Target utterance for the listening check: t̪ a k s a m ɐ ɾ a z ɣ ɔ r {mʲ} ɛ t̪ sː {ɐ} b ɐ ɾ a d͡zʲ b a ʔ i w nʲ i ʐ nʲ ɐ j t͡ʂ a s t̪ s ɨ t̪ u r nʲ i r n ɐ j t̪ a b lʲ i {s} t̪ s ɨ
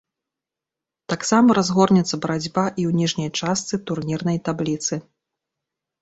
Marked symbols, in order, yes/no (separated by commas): no, yes, no